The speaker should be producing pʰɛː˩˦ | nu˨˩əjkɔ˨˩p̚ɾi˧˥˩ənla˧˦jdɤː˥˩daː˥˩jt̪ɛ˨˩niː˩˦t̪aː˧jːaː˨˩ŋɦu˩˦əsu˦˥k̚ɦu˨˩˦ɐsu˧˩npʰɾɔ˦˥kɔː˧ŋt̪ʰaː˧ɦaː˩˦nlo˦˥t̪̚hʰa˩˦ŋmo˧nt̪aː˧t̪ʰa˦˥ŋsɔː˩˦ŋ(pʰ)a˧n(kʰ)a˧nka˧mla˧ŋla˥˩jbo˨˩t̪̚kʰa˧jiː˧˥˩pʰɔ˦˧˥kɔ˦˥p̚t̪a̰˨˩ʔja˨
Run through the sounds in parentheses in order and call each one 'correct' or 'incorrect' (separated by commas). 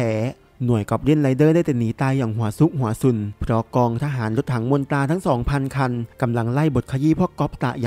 correct, correct